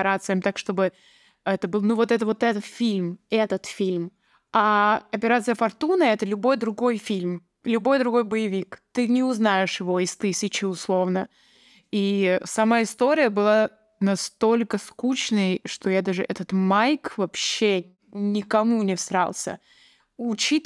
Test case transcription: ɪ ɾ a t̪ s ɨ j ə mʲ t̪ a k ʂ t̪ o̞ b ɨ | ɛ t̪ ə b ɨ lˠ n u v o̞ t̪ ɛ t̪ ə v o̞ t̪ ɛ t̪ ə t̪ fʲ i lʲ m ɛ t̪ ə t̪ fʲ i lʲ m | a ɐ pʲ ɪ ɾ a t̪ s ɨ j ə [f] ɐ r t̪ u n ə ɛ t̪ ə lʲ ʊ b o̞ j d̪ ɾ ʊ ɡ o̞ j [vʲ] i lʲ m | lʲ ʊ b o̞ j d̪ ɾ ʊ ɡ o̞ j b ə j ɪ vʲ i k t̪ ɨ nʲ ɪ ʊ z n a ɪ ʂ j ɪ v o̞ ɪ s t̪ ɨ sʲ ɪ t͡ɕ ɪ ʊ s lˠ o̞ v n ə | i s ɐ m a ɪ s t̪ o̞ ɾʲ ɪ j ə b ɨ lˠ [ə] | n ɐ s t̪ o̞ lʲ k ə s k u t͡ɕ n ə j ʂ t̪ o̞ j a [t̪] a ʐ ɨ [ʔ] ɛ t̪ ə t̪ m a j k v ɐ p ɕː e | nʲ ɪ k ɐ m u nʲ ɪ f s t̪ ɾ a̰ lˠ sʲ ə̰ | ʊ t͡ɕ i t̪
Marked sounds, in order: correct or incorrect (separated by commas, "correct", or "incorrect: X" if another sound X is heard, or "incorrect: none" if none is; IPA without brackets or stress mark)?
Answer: correct, incorrect: fʲ, incorrect: a, incorrect: d̪, correct